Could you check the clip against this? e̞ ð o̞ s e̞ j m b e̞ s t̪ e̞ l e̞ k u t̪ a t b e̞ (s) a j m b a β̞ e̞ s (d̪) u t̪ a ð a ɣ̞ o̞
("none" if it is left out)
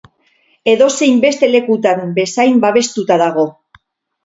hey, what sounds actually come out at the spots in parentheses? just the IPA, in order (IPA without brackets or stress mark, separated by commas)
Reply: s, t̪